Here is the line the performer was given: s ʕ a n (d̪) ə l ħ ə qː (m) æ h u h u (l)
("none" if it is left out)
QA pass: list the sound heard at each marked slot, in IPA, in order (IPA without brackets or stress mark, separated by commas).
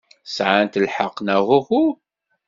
t̪, n, none